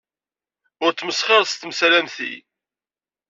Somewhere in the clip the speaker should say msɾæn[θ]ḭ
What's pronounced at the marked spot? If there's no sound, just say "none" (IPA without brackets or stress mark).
θ